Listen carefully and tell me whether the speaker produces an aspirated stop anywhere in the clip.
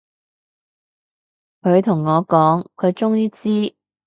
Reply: yes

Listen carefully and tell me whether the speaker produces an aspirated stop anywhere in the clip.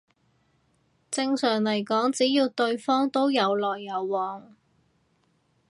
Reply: no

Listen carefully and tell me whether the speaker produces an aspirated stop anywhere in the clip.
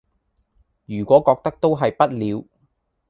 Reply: no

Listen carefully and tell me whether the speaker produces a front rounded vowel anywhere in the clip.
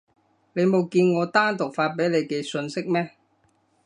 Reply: no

